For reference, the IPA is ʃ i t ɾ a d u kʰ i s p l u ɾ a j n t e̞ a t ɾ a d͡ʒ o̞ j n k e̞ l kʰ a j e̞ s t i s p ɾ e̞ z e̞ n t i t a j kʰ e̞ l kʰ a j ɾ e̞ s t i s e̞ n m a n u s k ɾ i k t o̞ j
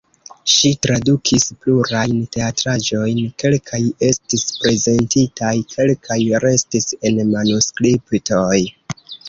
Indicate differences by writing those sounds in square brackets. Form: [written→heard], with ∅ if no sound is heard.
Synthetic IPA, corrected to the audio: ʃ i t ɾ a d u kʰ i s p l u ɾ a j n t e̞ a t ɾ a d͡ʒ o̞ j n k e̞ l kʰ a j e̞ s t i s p ɾ e̞ z e̞ n t i t a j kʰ e̞ l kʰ a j ɾ e̞ s t i s e̞ n m a n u s k ɾ i [k→p] t o̞ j